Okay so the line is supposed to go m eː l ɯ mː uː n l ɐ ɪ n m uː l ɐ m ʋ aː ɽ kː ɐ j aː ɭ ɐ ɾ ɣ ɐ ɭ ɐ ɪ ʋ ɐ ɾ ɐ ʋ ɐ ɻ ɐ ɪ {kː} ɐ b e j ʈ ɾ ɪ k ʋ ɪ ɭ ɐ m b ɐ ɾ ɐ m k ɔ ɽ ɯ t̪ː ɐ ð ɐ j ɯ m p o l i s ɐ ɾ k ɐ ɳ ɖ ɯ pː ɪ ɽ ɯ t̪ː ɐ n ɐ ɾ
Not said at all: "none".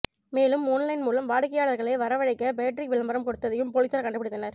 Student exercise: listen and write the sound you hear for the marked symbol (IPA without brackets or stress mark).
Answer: kː